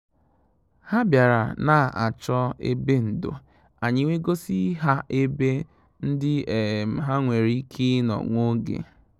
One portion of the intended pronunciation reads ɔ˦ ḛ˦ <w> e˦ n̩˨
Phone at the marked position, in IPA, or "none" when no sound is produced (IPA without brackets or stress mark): b